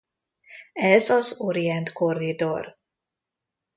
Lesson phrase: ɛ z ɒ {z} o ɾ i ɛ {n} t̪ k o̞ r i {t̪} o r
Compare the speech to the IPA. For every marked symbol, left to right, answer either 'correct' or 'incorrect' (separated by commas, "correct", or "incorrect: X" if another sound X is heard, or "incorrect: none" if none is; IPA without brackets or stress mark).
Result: correct, correct, incorrect: d̪